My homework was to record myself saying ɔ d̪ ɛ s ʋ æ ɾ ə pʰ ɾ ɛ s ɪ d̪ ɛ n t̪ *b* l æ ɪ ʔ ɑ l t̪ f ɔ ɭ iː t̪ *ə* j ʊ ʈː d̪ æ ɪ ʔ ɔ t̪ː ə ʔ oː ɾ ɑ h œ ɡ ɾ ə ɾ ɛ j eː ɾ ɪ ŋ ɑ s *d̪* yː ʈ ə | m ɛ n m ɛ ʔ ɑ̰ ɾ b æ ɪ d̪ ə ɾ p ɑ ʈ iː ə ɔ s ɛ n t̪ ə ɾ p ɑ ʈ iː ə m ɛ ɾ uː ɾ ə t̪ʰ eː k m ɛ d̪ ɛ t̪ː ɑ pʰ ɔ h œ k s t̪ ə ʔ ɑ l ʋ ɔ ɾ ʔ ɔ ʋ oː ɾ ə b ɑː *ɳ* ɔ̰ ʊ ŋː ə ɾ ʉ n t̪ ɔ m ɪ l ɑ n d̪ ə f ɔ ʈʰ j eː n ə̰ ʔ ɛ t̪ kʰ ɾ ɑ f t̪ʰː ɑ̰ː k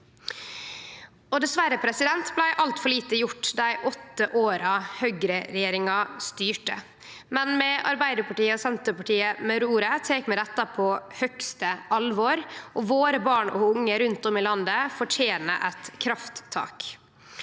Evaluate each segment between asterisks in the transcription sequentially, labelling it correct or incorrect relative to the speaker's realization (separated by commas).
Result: correct, correct, incorrect, correct